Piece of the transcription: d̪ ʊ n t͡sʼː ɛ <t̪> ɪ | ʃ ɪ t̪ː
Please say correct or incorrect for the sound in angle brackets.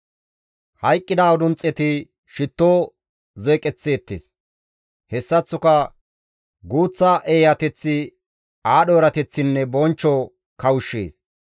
correct